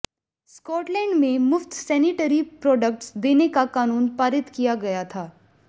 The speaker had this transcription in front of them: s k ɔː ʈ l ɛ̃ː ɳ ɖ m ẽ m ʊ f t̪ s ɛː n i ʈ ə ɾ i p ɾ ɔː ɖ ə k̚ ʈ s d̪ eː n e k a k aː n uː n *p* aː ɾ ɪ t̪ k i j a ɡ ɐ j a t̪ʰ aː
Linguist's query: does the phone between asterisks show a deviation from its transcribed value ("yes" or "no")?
no